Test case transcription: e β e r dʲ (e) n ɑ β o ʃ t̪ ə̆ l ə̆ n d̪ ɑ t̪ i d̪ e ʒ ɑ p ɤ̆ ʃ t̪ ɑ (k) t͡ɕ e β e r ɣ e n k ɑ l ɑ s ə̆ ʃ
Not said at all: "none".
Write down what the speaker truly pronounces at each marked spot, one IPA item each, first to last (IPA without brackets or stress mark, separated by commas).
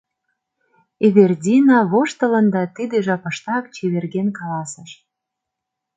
i, k